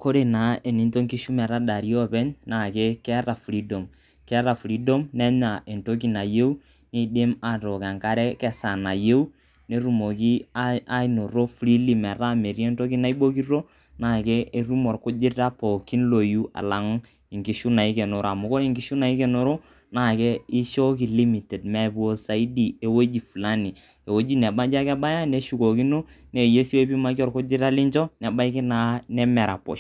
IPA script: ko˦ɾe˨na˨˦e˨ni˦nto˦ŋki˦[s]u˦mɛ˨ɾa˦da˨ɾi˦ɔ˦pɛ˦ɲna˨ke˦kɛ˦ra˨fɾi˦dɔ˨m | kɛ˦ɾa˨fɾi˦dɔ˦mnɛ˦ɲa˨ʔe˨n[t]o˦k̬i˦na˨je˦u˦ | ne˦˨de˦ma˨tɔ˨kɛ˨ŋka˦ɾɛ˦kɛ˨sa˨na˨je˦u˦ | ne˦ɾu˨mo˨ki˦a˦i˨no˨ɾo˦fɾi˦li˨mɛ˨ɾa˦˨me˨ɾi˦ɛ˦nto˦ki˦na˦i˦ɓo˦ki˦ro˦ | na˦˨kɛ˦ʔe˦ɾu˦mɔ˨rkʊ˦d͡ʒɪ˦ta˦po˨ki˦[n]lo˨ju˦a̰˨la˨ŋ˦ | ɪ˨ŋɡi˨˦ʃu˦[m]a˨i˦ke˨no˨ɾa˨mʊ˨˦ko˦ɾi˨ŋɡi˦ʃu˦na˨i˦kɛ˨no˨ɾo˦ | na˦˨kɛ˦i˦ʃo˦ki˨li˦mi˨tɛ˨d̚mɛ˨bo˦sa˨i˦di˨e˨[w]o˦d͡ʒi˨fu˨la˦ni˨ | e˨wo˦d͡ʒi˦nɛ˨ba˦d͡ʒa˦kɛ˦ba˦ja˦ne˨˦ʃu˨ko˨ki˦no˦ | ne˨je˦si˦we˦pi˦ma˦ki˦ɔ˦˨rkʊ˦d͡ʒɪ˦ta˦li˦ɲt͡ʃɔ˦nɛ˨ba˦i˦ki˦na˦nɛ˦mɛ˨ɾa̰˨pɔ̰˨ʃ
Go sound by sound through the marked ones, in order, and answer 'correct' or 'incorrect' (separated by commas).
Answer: incorrect, correct, correct, incorrect, correct